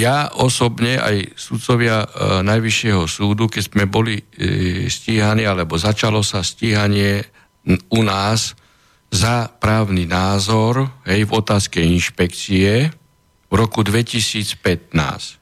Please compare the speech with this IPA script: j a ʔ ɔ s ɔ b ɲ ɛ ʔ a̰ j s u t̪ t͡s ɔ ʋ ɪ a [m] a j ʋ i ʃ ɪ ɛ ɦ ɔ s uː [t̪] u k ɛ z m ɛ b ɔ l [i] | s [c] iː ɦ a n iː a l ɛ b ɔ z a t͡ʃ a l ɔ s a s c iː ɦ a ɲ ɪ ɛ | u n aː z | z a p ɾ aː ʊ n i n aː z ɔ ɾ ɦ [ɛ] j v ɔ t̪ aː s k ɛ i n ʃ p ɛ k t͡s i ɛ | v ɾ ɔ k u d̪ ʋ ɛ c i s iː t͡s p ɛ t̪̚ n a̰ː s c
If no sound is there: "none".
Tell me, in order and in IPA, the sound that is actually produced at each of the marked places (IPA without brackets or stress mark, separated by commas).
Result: n, d̪, i, c, ɛ